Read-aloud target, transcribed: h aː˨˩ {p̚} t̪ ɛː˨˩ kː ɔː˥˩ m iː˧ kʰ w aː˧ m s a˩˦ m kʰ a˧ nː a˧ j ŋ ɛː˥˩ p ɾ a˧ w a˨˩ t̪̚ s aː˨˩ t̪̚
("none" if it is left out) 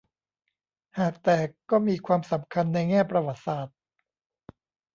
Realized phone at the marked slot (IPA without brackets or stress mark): k̚